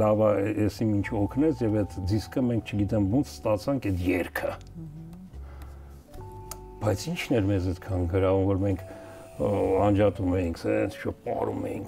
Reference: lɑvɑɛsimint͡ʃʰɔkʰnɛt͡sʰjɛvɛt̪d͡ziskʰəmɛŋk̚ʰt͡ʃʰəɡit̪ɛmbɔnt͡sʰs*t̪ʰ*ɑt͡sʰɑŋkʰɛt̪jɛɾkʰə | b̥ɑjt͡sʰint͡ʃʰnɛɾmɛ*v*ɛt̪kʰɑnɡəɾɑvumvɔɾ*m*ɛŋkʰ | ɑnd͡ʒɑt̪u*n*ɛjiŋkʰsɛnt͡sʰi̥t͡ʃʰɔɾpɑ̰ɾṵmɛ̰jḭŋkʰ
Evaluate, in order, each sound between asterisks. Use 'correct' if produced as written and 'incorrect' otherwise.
incorrect, incorrect, correct, incorrect

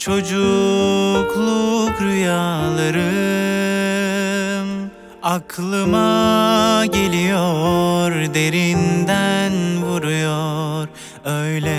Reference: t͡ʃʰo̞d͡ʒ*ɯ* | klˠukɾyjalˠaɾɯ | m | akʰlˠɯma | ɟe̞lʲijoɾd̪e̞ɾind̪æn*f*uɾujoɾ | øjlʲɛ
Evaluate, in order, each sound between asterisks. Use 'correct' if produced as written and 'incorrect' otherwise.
incorrect, incorrect

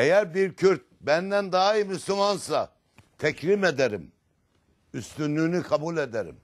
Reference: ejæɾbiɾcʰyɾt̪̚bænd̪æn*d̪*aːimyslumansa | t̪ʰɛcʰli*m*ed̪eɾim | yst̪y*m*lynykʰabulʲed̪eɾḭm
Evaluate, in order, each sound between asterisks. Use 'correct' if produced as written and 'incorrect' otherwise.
correct, correct, incorrect

